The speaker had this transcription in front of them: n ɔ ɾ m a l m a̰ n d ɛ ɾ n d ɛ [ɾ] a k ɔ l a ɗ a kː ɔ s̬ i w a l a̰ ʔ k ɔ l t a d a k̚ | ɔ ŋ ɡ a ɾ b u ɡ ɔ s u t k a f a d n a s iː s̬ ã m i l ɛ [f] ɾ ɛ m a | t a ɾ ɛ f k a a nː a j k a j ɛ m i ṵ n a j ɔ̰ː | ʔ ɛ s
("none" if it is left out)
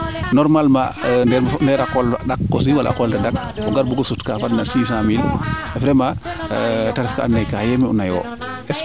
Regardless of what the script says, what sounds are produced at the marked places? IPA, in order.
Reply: ɾ, f

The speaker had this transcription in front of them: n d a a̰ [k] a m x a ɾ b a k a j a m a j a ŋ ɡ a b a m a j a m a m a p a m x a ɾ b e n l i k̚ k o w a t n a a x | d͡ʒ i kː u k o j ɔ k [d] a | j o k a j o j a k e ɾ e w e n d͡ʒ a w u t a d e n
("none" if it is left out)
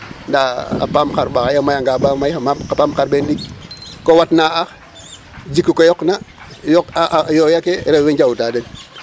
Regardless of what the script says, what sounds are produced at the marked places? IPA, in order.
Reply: p, n

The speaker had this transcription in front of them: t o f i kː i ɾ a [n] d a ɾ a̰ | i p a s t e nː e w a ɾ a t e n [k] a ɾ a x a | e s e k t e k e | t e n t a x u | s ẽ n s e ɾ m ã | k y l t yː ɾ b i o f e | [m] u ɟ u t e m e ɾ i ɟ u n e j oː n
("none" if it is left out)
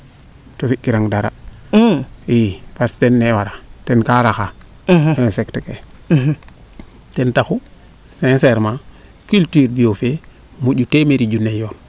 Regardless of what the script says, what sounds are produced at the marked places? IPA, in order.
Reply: ŋ, k, m

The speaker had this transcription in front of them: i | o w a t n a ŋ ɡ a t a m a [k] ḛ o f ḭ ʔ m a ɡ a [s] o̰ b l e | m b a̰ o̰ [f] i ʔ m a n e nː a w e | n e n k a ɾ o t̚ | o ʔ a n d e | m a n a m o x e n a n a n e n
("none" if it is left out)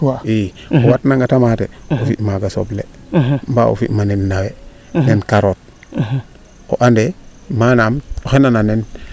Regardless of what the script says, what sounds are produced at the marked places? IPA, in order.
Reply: t, s, f

